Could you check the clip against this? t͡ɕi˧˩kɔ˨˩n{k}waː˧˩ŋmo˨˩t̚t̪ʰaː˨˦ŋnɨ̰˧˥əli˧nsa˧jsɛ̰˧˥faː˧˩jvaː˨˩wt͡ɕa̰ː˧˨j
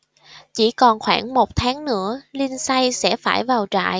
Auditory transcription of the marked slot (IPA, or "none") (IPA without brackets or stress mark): x